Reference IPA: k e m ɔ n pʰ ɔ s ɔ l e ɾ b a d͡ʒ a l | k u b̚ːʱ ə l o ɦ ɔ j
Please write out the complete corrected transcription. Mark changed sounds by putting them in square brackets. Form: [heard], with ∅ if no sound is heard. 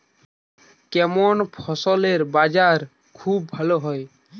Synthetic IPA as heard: k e m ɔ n pʰ ɔ s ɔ l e ɾ b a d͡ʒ a [ɾ] | [kʰ] u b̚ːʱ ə l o ɦ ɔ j

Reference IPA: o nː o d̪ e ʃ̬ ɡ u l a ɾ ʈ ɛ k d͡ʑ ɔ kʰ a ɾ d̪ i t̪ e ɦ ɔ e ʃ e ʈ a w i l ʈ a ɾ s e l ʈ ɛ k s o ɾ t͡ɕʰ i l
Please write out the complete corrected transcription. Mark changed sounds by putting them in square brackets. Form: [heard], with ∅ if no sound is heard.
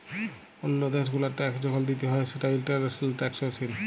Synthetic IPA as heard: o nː o d̪ e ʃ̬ ɡ u l a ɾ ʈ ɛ k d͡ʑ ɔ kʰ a [l] d̪ i t̪ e ɦ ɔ e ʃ e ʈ a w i l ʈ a ɾ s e l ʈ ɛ k s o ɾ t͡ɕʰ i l

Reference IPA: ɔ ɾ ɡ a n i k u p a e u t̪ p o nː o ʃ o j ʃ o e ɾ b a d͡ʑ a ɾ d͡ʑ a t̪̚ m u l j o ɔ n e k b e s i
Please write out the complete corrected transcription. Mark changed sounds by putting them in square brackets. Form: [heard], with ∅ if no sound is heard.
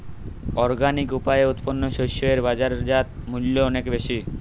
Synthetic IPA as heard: ɔ ɾ ɡ a n i k u p a e u t̪ p o nː o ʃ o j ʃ o e ɾ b a d͡ʑ a ɾ d͡ʑ a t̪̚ m u l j o ɔ n e k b e [ʃ] i

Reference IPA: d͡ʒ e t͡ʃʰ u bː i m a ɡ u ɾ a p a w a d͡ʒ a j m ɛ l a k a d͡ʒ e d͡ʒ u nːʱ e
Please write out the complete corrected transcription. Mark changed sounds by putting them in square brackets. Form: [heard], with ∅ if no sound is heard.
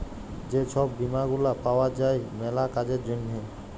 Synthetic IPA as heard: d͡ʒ e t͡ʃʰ [ɔ] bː i m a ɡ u [l] a p a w a d͡ʒ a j m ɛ l a k a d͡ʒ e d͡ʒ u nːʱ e

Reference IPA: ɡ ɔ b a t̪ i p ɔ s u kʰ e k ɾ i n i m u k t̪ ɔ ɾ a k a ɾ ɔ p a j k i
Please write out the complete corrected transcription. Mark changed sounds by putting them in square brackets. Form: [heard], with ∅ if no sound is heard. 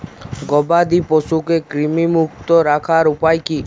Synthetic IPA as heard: ɡ ɔ b a [d̪] i p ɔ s u [k] e k ɾ i [m] i m u k t̪ ɔ ɾ a [kʰ] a ɾ [u] p a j k i

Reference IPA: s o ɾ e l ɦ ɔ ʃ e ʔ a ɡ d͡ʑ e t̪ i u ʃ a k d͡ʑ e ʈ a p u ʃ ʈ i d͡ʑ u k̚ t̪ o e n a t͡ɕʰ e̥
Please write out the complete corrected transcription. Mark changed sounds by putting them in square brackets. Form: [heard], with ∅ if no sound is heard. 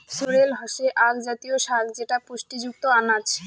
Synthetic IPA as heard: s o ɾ e l ɦ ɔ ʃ e ʔ a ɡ d͡ʑ [a] t̪ i [o] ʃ a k d͡ʑ e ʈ a p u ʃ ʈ i d͡ʑ u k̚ t̪ o [a] n a t͡ɕʰ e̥

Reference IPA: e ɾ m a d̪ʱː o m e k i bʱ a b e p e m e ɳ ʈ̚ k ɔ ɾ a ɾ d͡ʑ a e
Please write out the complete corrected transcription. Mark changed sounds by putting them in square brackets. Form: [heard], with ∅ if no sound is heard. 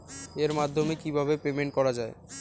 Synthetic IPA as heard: e ɾ m a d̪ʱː o m e k i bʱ a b e p e m e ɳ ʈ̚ k ɔ ɾ a [∅] d͡ʑ a e

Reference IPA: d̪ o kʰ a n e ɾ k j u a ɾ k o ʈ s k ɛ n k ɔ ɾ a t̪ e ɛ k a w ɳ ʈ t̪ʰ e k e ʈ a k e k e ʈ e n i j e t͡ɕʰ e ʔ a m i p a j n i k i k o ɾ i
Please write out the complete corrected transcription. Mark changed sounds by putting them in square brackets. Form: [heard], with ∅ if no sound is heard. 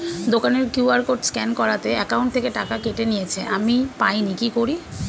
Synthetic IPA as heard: d̪ o [k] a n e ɾ k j u a ɾ k o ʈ s k ɛ n k ɔ ɾ a t̪ e ɛ k a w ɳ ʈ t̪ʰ e k e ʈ a k [a] k e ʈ e n i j e t͡ɕʰ e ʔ a m i p a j n i k i k o ɾ i

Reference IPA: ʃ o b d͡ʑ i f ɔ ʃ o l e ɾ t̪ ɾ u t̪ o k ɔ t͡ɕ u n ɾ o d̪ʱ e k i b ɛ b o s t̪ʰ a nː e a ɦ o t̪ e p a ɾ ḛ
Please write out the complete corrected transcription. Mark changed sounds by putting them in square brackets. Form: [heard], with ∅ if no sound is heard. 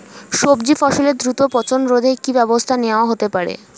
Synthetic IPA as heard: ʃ o b d͡ʑ i f ɔ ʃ o l e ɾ [d̪] ɾ u t̪ o [p] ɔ t͡ɕ [o] n ɾ o d̪ʱ e k i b ɛ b o s t̪ʰ a [n] e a ɦ o t̪ e p a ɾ ḛ

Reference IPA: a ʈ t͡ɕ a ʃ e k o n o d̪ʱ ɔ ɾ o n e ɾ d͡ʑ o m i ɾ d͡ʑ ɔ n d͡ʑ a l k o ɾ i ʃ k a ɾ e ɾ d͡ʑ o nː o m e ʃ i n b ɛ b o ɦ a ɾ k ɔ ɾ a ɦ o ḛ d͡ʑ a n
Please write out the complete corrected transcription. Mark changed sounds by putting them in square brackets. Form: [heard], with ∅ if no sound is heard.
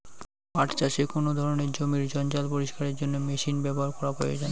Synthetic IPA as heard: a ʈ t͡ɕ a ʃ e k o n o d̪ʱ ɔ ɾ o n e ɾ d͡ʑ o m i ɾ d͡ʑ ɔ n d͡ʑ a l [p] o ɾ i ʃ k a ɾ e ɾ d͡ʑ o nː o m e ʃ i n b ɛ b o ɦ a ɾ k ɔ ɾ a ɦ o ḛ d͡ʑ a n

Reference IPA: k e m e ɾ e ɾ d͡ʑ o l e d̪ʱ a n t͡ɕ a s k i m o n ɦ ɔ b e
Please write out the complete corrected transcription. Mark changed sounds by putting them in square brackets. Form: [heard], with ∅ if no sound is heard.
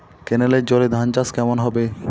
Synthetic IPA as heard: k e [n] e [l] e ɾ d͡ʑ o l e d̪ʱ a n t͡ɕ a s k [ɛ] m o n ɦ ɔ b e

